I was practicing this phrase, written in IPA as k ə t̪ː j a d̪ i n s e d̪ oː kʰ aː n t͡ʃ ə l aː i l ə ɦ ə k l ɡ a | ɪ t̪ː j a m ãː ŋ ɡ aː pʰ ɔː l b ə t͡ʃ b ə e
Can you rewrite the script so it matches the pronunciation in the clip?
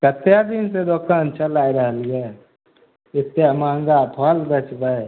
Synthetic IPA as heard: k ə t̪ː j a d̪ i n s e d̪ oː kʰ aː n t͡ʃ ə l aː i ɾ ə ɦ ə l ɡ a | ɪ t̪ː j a m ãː ŋ ɡ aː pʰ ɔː l b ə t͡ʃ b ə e